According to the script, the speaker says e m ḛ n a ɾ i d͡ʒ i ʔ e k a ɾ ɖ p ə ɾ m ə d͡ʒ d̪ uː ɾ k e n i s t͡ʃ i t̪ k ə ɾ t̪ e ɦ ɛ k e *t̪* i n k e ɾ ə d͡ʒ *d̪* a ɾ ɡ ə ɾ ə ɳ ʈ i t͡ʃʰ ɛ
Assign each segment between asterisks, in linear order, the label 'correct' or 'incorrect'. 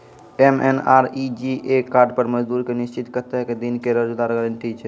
incorrect: d̪, correct

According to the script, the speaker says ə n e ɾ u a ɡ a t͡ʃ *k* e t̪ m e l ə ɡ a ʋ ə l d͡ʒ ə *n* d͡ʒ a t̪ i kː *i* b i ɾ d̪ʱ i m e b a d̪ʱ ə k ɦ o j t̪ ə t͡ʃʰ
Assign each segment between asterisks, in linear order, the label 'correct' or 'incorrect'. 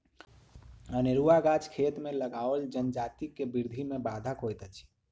incorrect: kʰ, correct, incorrect: e

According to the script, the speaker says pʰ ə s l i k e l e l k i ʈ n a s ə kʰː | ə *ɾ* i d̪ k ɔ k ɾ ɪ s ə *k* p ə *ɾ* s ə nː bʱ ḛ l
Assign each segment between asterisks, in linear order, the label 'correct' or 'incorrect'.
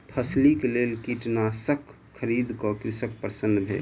correct, correct, correct

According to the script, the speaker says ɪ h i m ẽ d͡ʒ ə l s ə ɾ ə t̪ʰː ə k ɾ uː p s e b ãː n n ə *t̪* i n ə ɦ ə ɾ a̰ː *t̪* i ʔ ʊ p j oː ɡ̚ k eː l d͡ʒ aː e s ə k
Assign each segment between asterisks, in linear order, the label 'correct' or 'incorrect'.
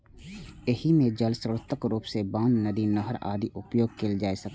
incorrect: d̪, incorrect: d̪

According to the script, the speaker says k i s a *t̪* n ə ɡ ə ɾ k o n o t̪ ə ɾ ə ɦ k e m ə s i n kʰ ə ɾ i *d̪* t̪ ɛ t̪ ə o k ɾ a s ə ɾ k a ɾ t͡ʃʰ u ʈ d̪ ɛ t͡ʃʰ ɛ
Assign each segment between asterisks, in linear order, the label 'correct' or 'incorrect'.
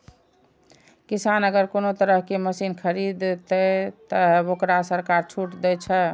incorrect: none, correct

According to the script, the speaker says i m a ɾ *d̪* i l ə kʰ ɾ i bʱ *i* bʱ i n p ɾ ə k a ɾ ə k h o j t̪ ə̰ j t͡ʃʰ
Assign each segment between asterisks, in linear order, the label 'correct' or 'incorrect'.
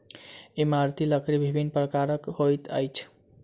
incorrect: t̪, correct

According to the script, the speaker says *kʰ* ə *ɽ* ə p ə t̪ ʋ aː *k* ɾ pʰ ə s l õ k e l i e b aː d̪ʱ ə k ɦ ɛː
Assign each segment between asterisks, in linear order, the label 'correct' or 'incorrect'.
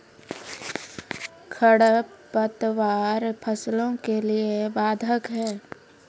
correct, correct, incorrect: none

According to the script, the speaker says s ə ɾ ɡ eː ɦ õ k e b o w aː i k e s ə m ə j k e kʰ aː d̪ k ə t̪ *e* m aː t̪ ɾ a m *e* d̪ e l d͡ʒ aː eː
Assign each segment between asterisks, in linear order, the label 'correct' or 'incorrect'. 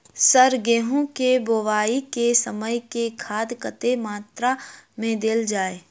correct, incorrect: ẽ

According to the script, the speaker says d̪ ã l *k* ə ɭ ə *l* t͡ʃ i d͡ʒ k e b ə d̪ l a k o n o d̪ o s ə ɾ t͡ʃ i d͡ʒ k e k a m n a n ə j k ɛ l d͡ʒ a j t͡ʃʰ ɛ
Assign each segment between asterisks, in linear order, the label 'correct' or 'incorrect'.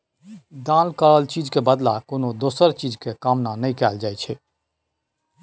correct, correct

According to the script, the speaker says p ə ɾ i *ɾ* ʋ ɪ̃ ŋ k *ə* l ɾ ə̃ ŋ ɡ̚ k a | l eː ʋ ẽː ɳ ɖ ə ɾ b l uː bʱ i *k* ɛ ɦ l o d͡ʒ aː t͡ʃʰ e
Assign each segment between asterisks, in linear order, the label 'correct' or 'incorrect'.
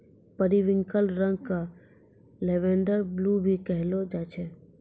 incorrect: none, correct, correct

